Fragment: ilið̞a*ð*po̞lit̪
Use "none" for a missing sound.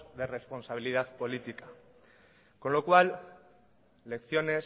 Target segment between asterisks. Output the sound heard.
ð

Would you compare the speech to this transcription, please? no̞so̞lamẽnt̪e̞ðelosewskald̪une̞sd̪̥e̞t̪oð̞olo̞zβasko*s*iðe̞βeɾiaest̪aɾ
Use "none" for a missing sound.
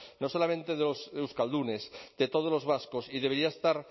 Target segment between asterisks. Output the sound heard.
s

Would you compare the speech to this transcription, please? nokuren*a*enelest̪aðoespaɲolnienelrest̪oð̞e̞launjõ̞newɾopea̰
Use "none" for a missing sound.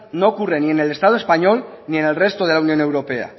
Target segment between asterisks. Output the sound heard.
i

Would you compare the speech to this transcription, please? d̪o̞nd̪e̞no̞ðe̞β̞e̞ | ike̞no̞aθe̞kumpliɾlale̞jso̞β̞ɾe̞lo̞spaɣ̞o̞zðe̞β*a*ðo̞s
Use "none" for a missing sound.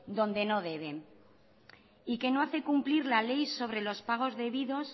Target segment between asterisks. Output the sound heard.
i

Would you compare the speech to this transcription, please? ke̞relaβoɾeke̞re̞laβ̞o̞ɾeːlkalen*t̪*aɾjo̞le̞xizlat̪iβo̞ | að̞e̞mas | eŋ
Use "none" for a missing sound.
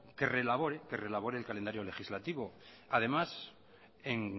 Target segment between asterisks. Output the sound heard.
d̪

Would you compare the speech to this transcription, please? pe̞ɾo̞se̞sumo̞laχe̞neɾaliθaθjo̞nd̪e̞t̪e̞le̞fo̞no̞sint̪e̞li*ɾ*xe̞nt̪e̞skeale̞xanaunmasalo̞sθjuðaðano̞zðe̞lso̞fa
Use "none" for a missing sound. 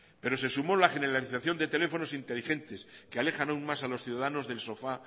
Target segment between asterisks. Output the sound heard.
none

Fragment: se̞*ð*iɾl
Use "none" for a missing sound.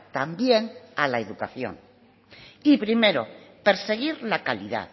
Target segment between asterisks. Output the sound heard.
ɣ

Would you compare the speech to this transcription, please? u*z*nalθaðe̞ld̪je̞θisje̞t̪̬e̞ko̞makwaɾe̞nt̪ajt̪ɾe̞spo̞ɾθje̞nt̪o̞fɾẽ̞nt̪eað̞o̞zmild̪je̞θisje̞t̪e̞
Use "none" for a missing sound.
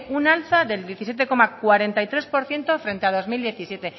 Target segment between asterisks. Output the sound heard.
none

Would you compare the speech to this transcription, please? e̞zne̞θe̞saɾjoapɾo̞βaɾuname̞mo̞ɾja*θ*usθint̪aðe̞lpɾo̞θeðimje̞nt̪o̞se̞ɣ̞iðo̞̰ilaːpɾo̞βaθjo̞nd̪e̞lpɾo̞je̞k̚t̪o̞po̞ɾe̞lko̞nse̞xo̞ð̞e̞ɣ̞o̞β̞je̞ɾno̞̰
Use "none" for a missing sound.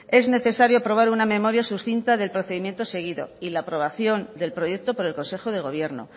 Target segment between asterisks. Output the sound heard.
s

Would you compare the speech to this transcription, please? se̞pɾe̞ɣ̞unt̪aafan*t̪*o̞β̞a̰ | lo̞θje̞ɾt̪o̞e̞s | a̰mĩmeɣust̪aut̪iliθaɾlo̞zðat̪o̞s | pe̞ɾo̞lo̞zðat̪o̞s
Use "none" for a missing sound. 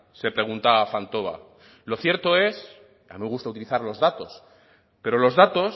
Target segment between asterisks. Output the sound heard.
t̪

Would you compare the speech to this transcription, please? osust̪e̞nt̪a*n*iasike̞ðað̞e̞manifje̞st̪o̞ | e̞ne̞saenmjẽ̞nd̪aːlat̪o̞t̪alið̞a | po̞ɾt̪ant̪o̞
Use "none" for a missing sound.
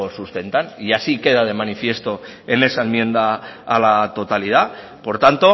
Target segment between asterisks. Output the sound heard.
n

